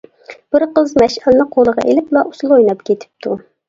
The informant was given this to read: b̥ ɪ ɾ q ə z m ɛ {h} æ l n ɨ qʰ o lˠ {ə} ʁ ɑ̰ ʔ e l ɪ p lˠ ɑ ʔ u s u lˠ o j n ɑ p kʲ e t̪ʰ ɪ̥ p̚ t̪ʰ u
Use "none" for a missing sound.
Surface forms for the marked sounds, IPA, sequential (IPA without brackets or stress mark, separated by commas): ʃ, ə